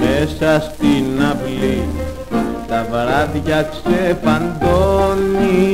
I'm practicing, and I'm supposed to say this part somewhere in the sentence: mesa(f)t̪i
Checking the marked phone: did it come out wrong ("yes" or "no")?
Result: yes